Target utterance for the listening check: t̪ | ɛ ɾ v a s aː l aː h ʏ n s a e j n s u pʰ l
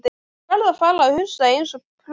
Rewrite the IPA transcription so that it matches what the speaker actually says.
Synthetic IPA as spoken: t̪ | ɛ ɾ ð a f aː l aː h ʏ n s a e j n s ɔ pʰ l

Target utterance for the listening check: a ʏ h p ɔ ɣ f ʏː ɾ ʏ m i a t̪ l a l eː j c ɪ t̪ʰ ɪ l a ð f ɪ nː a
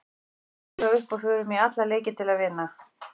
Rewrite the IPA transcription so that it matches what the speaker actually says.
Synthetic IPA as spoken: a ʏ h p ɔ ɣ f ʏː ɾ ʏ m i a t̪ l a l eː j c ɪ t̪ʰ ɪ l a ð v ɪ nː a

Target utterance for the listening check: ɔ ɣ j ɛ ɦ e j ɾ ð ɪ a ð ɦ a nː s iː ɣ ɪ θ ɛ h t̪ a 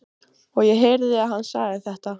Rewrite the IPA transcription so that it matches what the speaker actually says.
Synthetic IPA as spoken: ɔ ɣ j ɛ ɦ e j ɾ ð ɪ a ð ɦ a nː s aː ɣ ɪ θ ɛ h t̪ a

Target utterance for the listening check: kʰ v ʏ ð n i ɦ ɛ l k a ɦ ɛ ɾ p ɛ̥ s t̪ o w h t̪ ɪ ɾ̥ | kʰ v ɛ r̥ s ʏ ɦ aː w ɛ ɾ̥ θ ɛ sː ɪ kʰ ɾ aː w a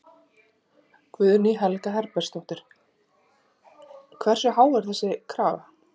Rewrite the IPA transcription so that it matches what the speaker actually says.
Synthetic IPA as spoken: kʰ v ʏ ð n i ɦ ɛ l k a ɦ ɛ ɾ p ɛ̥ s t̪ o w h t̪ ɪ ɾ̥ | kʰ v ɛ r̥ s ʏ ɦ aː w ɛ ɾ̥ θ ɛ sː ɪ kʰ ɾ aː v a

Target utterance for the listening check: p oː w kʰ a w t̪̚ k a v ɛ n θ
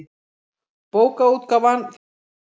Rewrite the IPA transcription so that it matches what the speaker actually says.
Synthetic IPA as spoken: p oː w k a u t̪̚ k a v a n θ

